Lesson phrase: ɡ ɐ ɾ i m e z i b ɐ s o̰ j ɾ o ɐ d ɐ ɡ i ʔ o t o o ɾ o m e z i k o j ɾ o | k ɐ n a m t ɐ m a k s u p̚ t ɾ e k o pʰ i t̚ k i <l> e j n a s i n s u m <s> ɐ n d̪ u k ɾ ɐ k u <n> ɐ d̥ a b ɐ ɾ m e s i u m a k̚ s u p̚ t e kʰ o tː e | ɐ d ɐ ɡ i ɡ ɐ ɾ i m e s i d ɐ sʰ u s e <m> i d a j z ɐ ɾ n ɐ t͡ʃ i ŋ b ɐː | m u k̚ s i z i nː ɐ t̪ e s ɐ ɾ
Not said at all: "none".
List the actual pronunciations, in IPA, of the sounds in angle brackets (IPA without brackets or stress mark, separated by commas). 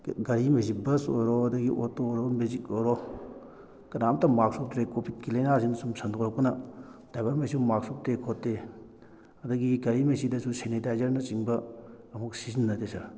l, s, n, n